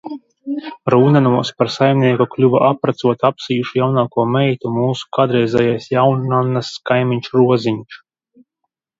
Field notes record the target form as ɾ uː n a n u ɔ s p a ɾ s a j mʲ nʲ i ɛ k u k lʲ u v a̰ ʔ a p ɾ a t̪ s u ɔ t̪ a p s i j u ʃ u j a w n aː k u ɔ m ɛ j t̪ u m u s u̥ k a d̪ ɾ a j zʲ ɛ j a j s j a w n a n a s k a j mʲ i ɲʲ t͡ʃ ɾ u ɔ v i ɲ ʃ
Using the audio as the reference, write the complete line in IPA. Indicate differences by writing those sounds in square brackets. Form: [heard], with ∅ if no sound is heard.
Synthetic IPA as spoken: ɾ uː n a n u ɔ s p a ɾ s a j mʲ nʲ i ɛ k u k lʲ u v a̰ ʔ a p ɾ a t̪ s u ɔ t̪ a p s i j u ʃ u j a w n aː k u ɔ m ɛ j t̪ u m [uː] s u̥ k a d̪ ɾ [ɛ] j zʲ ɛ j a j s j a w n a n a s k a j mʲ i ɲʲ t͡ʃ ɾ u ɔ [z] i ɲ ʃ